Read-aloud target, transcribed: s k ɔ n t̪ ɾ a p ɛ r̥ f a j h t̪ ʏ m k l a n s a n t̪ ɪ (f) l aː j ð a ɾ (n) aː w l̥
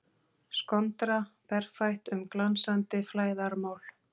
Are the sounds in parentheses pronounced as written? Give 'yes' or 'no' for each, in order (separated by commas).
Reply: yes, no